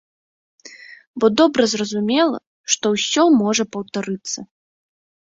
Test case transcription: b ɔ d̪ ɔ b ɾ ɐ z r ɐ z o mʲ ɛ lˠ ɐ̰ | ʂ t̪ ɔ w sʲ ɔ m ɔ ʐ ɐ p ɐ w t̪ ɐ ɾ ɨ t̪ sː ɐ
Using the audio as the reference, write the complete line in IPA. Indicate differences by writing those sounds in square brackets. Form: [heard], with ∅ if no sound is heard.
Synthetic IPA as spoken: b ɔ d̪ ɔ b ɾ ɐ z r ɐ z [u] mʲ ɛ lˠ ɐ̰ | ʂ t̪ ɔ w sʲ ɔ m ɔ ʐ ɐ p ɐ w t̪ [a] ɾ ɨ t̪ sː ɐ